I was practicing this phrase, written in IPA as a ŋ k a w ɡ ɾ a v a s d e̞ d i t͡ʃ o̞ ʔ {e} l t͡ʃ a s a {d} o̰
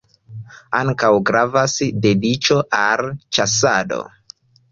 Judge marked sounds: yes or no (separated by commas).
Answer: no, yes